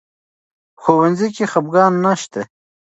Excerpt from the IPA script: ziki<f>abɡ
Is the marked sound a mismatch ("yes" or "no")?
yes